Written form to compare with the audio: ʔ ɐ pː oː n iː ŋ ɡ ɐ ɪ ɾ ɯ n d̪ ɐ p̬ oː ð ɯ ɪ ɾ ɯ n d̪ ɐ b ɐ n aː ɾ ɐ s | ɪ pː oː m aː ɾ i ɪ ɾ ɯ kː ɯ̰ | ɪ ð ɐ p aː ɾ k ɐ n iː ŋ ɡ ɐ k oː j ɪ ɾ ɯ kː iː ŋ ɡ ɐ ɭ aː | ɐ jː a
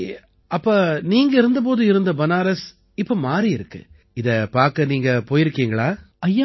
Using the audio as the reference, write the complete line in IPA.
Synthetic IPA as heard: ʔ ɐ pː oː n iː ŋ ɡ ɐ ɪ ɾ ɯ n d̪ ɐ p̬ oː ð ɯ ɪ ɾ ɯ n d̪ ɐ b ɐ n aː ɾ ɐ s | ɪ pː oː m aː ɾ i ɪ ɾ ɯ kː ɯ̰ | ɪ ð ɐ p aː ɾ k ɐ n iː ŋ ɡ ɐ p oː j ɪ ɾ ɯ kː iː ŋ ɡ ɐ ɭ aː | ɐ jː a